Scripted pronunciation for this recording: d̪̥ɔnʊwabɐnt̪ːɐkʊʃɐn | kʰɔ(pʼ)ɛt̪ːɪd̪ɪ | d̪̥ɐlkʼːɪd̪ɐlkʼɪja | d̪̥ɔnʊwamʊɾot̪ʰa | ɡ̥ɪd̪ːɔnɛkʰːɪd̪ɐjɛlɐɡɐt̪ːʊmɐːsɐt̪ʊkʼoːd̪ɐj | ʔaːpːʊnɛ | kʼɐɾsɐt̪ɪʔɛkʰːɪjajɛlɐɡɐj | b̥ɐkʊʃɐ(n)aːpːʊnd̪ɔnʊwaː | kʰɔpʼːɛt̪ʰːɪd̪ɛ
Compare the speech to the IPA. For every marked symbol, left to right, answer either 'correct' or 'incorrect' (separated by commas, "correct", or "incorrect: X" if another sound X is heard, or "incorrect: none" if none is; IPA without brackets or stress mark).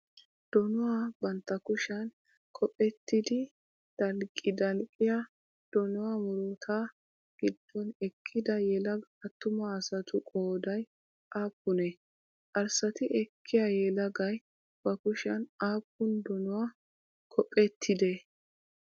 correct, correct